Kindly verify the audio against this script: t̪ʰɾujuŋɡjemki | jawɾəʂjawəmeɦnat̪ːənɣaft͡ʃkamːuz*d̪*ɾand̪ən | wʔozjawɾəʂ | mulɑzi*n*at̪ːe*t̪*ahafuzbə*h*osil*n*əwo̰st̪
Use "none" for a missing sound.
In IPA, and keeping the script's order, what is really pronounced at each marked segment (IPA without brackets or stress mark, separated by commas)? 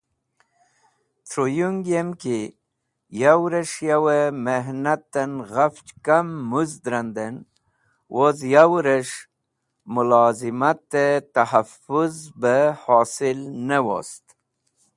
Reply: d̪, m, t̪, h, n